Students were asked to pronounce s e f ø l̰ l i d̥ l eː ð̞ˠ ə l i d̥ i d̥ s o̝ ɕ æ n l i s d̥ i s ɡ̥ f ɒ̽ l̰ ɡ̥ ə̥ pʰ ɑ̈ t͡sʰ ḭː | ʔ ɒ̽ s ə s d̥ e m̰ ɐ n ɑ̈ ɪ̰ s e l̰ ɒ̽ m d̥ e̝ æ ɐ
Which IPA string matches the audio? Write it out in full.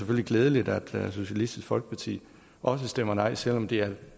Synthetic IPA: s e f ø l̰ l i ɡ̥ l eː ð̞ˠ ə l i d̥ æ d̥ s o̝ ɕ æ l i s d̥ i s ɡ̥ f ɒ̽ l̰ ɡ̥ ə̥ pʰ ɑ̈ t͡sʰ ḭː | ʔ ɒ̽ s ə s d̥ e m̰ ɐ n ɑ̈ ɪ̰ s e l̰ ɒ̽ m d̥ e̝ æ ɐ